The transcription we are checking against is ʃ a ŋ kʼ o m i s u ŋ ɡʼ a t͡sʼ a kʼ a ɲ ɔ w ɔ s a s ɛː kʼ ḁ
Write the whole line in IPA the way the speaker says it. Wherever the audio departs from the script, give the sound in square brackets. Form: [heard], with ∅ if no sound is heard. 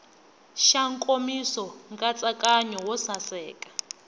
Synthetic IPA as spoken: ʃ a ŋ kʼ o m i s [ɔ] ŋ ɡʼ a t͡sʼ a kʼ a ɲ ɔ w ɔ s a s ɛː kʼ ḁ